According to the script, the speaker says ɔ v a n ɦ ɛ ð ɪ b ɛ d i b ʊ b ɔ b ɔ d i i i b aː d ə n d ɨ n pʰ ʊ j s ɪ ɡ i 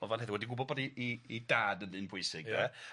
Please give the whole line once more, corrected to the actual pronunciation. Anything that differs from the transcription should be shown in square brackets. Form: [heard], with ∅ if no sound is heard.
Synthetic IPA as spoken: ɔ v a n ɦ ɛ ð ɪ [w] ɛ d i [ɡ] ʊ b ɔ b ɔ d i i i [d] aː d ə n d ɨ n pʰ ʊ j s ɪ ɡ [ɛ]